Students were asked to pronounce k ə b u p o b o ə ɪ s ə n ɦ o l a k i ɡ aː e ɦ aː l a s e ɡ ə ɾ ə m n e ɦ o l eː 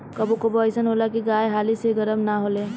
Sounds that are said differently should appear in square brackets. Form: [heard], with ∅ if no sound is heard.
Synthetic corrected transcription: k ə b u [k] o b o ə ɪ s ə n ɦ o l a k i ɡ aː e ɦ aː l [i] s e ɡ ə ɾ ə m n [a] ɦ o l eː